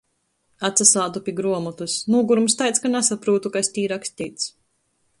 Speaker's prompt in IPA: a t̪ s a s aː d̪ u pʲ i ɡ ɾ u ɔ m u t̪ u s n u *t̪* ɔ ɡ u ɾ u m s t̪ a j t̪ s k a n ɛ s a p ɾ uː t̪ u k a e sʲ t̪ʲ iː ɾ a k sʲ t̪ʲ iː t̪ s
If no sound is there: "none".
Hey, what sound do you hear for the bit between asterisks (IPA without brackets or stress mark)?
none